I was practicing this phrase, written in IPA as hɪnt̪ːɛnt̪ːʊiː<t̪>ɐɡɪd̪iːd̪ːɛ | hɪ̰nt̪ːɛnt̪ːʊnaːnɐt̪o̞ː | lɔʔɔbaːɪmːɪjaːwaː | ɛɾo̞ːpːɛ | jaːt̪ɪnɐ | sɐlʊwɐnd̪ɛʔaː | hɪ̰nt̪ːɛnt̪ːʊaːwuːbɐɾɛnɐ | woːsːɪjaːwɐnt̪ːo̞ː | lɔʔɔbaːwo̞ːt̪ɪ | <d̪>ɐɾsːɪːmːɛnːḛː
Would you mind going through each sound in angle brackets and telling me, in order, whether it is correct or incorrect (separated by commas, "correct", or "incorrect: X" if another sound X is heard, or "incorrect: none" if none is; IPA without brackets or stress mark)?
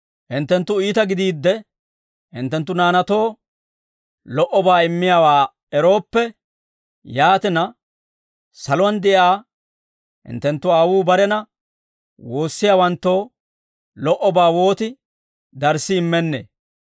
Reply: correct, correct